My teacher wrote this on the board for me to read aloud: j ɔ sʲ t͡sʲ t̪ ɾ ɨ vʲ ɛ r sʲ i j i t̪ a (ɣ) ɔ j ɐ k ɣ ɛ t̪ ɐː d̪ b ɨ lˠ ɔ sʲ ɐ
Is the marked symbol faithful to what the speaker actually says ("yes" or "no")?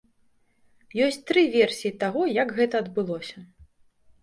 yes